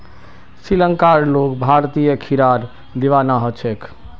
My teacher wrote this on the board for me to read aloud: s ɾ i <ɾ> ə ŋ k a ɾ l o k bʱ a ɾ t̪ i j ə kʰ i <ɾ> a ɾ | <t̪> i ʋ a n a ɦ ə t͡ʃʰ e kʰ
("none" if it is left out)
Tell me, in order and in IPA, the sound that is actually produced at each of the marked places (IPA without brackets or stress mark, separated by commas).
l, ɾ, d̪